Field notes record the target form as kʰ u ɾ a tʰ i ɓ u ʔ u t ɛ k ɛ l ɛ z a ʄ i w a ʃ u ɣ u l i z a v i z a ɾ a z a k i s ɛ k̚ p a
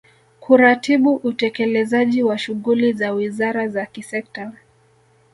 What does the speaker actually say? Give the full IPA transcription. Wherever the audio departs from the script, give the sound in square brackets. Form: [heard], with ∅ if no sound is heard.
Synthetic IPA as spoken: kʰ u ɾ a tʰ i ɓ u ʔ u t ɛ k ɛ l ɛ z a ʄ i w a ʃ u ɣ u l i z a [w] i z a ɾ a z a k i s ɛ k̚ [t] a